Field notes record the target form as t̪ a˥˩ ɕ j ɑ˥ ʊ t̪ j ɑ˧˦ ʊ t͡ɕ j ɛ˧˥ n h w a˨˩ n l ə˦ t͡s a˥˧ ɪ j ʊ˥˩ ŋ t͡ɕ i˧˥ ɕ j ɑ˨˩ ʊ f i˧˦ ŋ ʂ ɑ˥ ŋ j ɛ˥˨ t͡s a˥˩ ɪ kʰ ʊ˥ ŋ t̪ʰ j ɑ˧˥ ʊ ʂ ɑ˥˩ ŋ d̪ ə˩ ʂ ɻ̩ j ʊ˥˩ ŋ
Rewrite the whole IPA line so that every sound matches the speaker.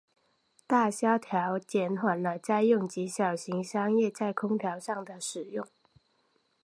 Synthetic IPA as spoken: t̪ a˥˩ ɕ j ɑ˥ ʊ t̪ʰ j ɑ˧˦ ʊ t͡ɕ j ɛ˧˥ n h w a˨˩ n l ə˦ t͡s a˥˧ ɪ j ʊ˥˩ ŋ t͡ɕ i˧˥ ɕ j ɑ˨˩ ʊ ɕ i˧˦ ŋ ʂ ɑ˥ ŋ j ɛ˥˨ t͡s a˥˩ ɪ kʰ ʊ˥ ŋ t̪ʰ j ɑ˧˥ ʊ ʂ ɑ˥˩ ŋ d̪ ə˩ ʂ ɻ̩ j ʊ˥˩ ŋ